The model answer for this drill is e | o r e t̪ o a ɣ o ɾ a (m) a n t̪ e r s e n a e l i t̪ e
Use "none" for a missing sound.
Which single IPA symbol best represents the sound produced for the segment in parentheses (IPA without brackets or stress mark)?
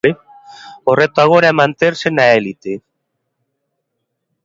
m